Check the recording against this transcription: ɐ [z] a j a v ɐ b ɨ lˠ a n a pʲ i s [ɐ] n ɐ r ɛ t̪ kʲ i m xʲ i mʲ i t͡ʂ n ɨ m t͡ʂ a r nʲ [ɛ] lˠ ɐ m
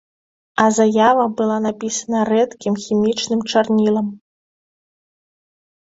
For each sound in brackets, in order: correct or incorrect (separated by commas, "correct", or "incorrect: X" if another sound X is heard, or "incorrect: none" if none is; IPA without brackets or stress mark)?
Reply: correct, correct, incorrect: i